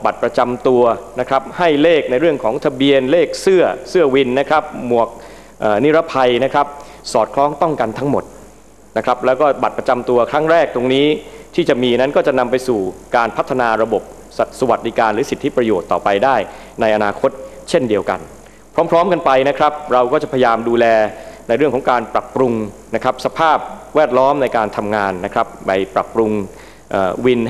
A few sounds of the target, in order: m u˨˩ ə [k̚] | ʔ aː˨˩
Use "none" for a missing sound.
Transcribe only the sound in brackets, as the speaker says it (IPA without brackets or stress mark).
k̚